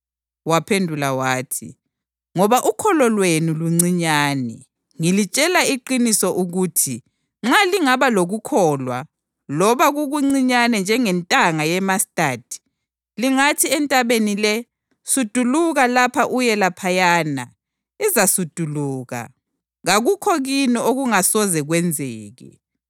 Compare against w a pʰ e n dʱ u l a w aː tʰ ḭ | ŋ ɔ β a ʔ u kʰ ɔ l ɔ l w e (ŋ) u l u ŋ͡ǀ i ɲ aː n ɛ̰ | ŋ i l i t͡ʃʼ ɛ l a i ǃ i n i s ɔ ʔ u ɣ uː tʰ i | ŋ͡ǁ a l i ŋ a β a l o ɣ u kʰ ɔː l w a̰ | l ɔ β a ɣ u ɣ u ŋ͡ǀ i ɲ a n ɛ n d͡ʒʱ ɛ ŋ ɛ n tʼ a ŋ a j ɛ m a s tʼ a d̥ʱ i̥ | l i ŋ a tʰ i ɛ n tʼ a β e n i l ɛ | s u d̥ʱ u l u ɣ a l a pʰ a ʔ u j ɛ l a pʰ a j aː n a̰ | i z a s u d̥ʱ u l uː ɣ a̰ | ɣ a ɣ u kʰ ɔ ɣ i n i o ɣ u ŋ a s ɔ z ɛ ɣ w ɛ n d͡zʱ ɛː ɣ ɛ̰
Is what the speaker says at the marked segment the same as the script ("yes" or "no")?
no